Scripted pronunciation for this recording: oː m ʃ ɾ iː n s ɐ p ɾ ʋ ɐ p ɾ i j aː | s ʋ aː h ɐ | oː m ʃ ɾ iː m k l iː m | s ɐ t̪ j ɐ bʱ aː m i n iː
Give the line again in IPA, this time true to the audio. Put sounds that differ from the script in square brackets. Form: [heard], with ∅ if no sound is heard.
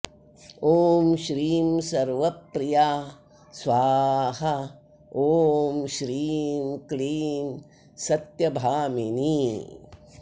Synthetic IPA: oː m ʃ ɾ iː [m] s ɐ [∅] ɾ ʋ ɐ p ɾ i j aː | s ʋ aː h ɐ | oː m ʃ ɾ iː m k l iː m | s ɐ t̪ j ɐ bʱ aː m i n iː

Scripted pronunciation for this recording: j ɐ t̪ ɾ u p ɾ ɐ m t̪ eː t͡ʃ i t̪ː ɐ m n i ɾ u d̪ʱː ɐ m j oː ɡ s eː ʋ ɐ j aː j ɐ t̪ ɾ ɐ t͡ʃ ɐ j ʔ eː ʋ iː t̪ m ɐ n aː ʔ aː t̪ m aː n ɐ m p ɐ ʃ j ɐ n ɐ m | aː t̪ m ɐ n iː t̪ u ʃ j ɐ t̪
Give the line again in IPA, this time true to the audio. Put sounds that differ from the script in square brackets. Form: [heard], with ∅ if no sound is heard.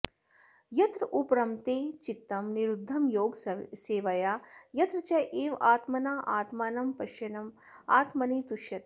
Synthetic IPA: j ɐ t̪ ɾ u p ɾ ɐ m t̪ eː t͡ʃ i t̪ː ɐ m n i ɾ u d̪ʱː ɐ m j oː ɡ s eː ʋ ɐ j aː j ɐ t̪ ɾ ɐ t͡ʃ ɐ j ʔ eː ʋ [aː] t̪ m ɐ n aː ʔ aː t̪ m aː n ɐ m p ɐ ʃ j ɐ n ɐ m | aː t̪ m ɐ n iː t̪ u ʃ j ɐ t̪

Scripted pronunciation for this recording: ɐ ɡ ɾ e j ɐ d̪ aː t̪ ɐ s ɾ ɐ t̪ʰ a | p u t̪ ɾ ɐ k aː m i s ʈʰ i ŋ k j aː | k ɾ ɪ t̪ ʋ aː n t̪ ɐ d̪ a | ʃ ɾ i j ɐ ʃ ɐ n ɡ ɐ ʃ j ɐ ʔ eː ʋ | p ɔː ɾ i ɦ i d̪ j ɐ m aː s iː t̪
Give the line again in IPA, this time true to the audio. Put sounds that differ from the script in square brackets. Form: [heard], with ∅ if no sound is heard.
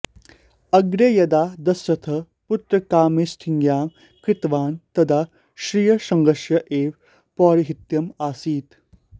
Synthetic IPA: ɐ ɡ ɾ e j ɐ d̪ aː [d̪] ɐ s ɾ ɐ t̪ʰ [ɐ] | p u t̪ ɾ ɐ k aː m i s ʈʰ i ŋ [ɡ] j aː | k ɾ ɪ t̪ ʋ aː n t̪ ɐ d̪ a | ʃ ɾ i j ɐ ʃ ɐ [ŋ] ɡ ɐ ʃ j ɐ ʔ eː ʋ | p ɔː ɾ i ɦ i [t̪] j ɐ m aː s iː t̪

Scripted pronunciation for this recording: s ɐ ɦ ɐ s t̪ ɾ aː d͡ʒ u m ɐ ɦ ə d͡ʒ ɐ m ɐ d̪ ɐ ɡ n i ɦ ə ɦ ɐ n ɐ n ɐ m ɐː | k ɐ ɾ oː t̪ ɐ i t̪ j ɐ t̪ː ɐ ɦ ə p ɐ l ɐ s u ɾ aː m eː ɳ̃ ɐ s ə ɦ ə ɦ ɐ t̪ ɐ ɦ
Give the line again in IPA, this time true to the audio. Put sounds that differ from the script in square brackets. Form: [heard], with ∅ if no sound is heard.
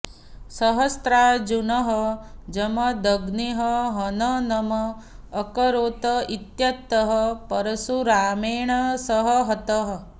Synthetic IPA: s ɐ ɦ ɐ s t̪ ɾ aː d͡ʒ u [n] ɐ ɦ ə d͡ʒ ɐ m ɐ d̪ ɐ ɡ n i ɦ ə ɦ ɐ n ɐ n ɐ m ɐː | k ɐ ɾ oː t̪ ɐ i t̪ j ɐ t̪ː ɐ ɦ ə p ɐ [ɾ] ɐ s u ɾ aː m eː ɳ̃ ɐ s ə ɦ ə ɦ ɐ t̪ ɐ ɦ

